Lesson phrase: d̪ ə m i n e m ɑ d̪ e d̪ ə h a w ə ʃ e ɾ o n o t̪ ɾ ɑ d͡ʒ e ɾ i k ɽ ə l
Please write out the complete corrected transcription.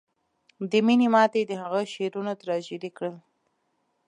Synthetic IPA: d̪ ə m i n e m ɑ t̪ e d̪ ə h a ɣ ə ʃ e ɾ u n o t̪ ɾ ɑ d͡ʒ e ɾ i k ɽ ə l